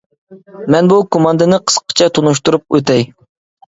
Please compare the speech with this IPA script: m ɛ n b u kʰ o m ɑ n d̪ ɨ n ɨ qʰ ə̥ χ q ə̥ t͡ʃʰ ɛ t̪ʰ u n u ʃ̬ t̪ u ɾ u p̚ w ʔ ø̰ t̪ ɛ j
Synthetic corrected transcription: m ɛ n b u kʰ o m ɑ n d̪ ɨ n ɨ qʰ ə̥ s q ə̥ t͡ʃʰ ɛ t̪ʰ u n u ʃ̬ t̪ u ɾ u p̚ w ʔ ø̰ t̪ ɛ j